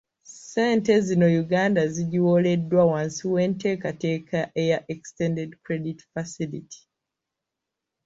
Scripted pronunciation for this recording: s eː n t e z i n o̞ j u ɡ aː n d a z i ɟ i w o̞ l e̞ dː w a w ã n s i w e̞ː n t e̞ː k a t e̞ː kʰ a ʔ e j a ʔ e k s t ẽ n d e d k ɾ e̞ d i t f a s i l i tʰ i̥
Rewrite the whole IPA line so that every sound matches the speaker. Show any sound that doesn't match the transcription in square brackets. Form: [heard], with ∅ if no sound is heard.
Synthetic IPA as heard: s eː n t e z i n o̞ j u ɡ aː n d a z i ɟ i w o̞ l e̞ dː w a w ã n s i w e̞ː n t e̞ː k a t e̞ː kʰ a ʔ e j a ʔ e k s t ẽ n d e d k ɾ e̞ d i t f a s i l i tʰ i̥